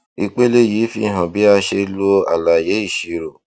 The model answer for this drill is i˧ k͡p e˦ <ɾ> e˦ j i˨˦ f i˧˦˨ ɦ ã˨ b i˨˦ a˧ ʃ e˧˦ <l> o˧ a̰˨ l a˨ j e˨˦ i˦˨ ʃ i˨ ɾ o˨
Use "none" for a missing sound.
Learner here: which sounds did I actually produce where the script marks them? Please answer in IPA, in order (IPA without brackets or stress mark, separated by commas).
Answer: l, l